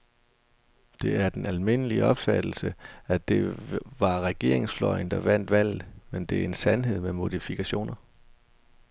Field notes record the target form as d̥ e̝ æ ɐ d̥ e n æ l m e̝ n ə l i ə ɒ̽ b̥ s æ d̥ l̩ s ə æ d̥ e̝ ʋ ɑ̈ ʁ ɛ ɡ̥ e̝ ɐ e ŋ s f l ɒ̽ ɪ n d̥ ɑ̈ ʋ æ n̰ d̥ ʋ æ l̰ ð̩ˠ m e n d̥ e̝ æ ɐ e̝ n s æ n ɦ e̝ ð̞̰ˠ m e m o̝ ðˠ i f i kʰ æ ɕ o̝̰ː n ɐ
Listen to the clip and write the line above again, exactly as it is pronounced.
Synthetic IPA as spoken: d̥ e̝ æ ɐ d̥ e n æ l m e̝ n ə l i ə ɒ̽ b̥ f æ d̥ l̩ s ə æ d̥ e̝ ʋ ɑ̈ ʁ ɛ ɡ̥ e̝ ɐ e ŋ s f l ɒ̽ ɪ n d̥ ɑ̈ ʋ æ n̰ d̥ ʋ æ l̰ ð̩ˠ m e n d̥ e̝ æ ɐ e̝ n s æ n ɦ e̝ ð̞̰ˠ m e m o̝ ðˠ i f i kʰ æ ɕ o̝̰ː n ɐ